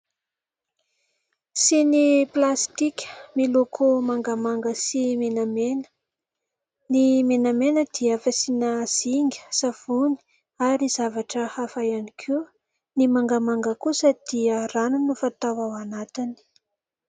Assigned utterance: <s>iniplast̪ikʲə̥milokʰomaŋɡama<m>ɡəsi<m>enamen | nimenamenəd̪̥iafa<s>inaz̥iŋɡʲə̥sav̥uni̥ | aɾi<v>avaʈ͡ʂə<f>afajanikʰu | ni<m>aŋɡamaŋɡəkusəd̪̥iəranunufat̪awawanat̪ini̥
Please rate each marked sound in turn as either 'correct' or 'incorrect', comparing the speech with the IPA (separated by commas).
correct, incorrect, correct, correct, incorrect, incorrect, correct